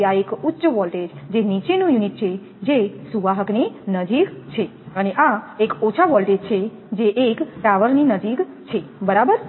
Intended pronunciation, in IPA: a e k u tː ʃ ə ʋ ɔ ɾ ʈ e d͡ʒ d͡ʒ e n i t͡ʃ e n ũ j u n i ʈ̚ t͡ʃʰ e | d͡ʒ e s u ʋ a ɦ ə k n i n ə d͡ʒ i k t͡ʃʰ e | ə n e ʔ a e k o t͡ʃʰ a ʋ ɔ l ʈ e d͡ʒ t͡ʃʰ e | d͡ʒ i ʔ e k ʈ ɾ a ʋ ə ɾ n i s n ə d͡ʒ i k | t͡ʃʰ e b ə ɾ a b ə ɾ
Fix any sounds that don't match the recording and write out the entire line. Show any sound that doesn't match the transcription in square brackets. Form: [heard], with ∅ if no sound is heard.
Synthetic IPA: a e k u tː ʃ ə ʋ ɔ [l] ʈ e d͡ʒ d͡ʒ e n i t͡ʃ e n ũ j u n i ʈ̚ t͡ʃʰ e | d͡ʒ e s u ʋ a ɦ ə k n i n ə d͡ʒ i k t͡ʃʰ e | ə n e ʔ a e k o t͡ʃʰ a ʋ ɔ l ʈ e d͡ʒ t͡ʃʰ e | d͡ʒ [e] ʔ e k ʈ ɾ a ʋ ə ɾ n i [∅] n ə d͡ʒ i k | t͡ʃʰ e b ə ɾ a b ə ɾ